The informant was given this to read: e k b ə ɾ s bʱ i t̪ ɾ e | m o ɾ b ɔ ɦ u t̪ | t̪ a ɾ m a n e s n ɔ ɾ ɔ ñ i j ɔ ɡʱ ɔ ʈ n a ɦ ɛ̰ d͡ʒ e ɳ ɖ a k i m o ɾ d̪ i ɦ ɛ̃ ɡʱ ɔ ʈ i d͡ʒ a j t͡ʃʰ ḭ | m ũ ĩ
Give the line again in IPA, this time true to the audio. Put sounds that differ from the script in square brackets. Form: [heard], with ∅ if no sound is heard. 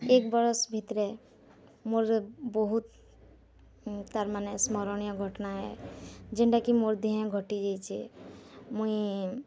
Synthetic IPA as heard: e k b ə ɾ s bʱ i t̪ ɾ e | m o ɾ b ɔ ɦ u t̪ | t̪ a ɾ m a n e s [m] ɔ ɾ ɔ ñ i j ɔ ɡʱ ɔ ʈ n a ɦ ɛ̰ d͡ʒ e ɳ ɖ a k i m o ɾ d̪ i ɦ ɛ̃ ɡʱ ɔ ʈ i d͡ʒ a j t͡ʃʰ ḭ | m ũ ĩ